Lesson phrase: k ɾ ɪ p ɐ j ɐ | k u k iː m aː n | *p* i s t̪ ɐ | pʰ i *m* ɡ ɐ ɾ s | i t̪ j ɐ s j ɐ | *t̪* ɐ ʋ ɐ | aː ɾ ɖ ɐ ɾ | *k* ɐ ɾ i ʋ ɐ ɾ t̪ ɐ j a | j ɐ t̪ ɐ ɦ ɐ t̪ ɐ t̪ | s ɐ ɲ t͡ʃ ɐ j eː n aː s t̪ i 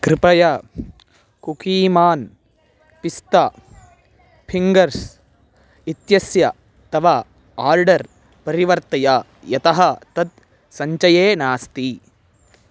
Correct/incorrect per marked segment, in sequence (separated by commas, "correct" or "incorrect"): correct, incorrect, correct, incorrect